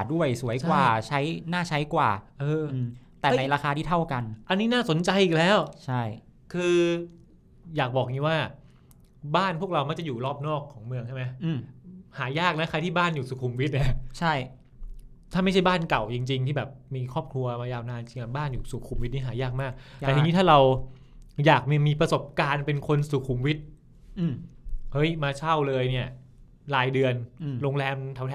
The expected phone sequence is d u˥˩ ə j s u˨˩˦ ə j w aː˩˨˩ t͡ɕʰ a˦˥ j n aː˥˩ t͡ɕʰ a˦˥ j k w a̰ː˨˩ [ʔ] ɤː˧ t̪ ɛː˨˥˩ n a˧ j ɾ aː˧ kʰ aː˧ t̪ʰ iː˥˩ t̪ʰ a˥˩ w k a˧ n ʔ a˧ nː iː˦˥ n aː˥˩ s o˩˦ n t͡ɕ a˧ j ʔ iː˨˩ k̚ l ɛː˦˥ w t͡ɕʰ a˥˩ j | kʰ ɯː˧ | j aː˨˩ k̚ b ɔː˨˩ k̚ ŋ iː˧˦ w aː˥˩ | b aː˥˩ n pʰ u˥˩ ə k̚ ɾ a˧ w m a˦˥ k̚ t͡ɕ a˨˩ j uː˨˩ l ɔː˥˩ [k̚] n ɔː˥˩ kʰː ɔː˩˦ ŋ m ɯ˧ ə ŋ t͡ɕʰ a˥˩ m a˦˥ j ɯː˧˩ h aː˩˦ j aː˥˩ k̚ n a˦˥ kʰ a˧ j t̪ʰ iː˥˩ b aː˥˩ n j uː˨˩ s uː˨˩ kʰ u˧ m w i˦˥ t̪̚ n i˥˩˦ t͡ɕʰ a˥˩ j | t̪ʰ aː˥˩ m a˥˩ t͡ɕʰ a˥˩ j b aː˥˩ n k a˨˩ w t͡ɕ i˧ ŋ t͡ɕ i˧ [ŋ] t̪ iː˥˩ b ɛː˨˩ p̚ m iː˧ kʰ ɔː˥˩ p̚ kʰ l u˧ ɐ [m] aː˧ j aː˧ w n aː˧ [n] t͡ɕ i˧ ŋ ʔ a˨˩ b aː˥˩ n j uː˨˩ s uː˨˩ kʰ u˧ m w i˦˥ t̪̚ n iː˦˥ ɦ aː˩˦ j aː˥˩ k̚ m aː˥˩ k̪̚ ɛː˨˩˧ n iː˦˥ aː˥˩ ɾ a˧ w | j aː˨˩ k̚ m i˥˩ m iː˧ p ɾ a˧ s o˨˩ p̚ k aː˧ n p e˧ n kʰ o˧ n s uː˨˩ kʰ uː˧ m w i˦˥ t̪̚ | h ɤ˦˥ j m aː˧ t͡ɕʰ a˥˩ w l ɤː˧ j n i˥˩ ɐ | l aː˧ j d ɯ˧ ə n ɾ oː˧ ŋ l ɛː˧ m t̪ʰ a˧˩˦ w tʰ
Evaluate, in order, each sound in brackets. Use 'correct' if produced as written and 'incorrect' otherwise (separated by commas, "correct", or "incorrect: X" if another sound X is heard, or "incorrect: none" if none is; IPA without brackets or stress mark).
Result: correct, incorrect: p̚, correct, correct, correct